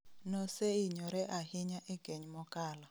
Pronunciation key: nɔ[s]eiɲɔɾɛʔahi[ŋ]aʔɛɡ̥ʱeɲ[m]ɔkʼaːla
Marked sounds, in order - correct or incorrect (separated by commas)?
correct, incorrect, correct